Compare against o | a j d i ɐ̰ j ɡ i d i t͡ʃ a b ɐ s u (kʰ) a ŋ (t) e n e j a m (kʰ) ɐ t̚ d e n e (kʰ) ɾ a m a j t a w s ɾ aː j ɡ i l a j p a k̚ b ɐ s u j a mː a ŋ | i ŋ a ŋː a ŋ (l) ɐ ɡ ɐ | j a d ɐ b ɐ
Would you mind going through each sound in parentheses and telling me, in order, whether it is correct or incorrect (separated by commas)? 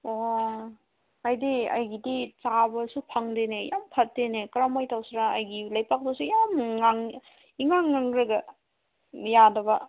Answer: incorrect, incorrect, incorrect, incorrect, incorrect